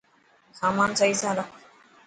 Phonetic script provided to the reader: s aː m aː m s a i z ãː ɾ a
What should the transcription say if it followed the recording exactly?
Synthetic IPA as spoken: s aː m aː n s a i s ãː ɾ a